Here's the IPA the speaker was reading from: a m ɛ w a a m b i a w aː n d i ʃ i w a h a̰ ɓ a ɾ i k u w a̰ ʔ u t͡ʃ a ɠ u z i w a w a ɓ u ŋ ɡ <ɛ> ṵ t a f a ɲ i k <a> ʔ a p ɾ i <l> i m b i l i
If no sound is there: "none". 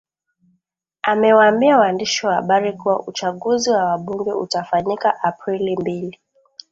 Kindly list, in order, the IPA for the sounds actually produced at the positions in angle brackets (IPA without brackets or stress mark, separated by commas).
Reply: ɛ, a, l